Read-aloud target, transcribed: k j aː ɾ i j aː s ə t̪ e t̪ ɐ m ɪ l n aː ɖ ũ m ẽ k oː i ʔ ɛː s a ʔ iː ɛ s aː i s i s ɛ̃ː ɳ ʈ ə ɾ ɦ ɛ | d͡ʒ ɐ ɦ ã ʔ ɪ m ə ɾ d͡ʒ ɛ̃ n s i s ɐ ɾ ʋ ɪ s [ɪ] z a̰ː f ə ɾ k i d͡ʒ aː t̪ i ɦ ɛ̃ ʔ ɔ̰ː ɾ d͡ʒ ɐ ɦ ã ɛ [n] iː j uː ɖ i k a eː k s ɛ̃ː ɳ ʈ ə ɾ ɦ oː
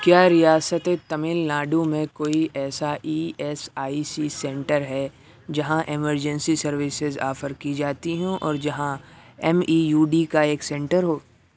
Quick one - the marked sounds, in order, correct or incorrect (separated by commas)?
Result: correct, incorrect